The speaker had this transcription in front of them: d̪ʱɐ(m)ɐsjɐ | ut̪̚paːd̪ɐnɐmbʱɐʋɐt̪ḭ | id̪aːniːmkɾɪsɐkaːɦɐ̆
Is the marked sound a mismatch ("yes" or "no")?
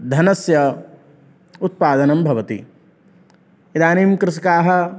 yes